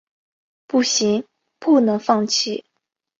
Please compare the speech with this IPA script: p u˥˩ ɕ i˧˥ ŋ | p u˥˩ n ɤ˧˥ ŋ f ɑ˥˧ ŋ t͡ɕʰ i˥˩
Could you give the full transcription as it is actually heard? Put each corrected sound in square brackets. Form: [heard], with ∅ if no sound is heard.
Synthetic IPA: p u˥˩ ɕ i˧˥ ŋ | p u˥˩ n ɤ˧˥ ŋ f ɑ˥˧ ŋ t͡ɕʰ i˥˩